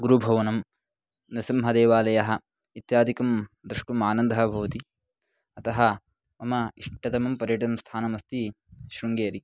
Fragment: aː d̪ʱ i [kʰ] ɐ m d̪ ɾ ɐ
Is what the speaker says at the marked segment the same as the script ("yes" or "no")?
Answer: no